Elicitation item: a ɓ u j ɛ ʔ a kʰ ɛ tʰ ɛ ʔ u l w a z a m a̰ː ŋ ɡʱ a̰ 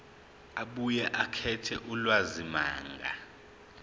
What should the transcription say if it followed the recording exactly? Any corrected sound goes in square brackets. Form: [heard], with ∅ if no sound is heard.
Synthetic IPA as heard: a ɓ u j ɛ ʔ a kʰ ɛ tʰ ɛ ʔ u l w a z [i] m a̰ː ŋ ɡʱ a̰